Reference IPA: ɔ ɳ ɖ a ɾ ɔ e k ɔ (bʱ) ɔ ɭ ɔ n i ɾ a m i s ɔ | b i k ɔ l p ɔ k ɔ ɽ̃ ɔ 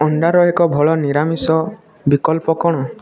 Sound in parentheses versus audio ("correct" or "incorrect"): correct